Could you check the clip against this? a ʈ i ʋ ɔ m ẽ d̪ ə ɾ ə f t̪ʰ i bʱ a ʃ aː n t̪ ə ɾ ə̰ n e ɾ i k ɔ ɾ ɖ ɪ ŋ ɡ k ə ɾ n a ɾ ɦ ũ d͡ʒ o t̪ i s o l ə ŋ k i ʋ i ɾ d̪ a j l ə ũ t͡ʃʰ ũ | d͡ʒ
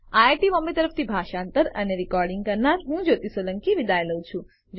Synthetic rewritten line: a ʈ i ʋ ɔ m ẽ t̪ ə ɾ ə f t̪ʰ i bʱ a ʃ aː n t̪ ə ɾ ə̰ n e ɾ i k ɔ ɾ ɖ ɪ ŋ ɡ k ə ɾ n a ɾ ɦ ũ d͡ʒ o t̪ i s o l ə ŋ k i ʋ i d̪ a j l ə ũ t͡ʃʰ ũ | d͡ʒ